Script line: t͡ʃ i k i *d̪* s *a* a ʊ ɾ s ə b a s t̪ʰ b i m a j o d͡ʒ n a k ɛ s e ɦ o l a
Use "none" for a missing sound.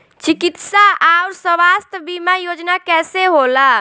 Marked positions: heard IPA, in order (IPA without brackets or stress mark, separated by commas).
t̪, a